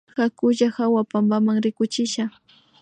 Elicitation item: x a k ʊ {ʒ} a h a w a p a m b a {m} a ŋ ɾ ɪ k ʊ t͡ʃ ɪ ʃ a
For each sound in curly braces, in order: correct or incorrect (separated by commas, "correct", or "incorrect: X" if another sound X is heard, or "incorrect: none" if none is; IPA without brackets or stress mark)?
correct, correct